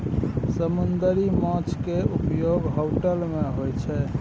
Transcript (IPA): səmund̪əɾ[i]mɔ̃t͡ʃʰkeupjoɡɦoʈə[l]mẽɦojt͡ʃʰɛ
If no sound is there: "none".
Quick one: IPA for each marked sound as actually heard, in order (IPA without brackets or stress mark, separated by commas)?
i, l